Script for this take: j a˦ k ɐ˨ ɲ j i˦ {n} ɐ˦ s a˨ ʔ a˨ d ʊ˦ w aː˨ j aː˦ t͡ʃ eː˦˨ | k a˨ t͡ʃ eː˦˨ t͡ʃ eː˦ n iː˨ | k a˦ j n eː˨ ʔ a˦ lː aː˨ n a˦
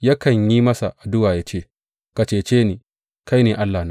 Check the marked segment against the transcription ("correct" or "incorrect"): incorrect